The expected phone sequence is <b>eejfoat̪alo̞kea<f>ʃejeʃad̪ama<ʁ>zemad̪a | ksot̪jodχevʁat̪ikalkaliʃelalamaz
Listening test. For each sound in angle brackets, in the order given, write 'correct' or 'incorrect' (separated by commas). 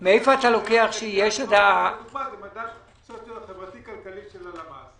incorrect, incorrect, incorrect